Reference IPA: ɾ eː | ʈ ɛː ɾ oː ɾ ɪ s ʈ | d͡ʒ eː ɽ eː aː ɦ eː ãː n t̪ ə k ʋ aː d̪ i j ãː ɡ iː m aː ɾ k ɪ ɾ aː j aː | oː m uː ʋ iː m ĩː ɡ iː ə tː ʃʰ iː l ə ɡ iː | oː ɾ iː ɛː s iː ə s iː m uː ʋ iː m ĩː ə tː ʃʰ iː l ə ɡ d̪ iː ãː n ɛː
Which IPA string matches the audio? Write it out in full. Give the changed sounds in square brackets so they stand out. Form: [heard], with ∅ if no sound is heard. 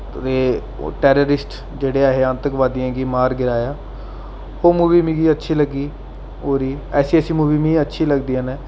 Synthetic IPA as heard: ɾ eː | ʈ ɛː ɾ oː ɾ ɪ s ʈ | d͡ʒ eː ɽ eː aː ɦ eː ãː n t̪ ə k ʋ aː d̪ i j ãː ɡ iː m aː ɾ [ɡ] ɪ ɾ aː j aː | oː m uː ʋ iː m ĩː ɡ iː ə tː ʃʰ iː l ə ɡ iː | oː ɾ iː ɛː s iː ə s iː m uː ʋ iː m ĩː ə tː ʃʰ iː l ə ɡ d̪ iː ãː n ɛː